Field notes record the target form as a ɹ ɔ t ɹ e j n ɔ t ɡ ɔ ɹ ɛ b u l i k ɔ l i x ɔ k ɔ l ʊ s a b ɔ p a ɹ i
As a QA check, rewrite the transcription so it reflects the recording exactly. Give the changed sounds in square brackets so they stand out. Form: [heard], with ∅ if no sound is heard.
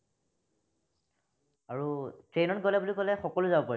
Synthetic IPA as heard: a ɹ [u] t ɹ e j n ɔ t ɡ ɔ [l] ɛ b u l i k ɔ l [ɛ] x ɔ k ɔ l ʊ [z] a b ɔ p a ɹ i